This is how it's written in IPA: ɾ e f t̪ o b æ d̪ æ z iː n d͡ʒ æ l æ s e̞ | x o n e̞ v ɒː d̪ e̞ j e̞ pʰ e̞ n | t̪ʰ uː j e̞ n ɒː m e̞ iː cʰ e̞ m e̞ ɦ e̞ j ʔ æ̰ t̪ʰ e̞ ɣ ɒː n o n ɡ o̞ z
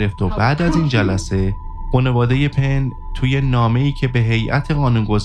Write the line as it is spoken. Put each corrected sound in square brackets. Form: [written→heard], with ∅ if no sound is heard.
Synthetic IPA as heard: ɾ e f t̪ o b æ d̪ æ z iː n d͡ʒ æ l æ s e̞ | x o n e̞ v ɒː d̪ e̞ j e̞ pʰ e̞ n | t̪ʰ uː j e̞ n ɒː m e̞ iː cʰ e̞ [m→b] e̞ ɦ e̞ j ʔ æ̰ t̪ʰ e̞ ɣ ɒː n [o→u] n ɡ o̞ z